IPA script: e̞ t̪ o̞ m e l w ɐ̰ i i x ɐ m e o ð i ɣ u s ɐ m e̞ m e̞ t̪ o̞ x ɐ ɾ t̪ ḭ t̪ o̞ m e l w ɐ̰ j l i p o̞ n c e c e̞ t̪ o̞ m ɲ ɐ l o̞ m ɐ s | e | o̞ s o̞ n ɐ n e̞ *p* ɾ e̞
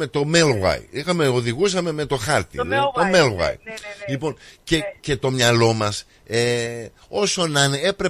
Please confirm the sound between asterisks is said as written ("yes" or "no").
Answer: yes